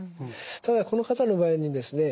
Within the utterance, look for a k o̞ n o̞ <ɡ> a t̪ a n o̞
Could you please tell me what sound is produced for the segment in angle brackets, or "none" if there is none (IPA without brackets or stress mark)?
k